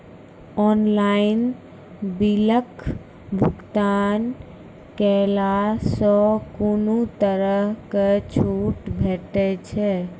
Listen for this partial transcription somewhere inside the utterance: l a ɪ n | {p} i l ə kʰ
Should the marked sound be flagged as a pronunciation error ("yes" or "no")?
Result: yes